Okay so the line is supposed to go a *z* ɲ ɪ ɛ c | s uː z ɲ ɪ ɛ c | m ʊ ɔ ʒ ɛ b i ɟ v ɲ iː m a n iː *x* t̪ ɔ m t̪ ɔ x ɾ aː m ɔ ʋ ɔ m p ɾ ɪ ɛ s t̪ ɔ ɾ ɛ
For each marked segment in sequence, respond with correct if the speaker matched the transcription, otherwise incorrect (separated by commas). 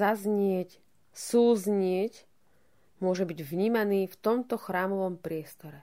correct, incorrect